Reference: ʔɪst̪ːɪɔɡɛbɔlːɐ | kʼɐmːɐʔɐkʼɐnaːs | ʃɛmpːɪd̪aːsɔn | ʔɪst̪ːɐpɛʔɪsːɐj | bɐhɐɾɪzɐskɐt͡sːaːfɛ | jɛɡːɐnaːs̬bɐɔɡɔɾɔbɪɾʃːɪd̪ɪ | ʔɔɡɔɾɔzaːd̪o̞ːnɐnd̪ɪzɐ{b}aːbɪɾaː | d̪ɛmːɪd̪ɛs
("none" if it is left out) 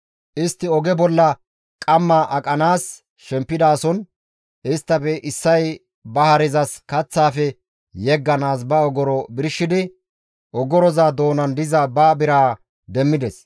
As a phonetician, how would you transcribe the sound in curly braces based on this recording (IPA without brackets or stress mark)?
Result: b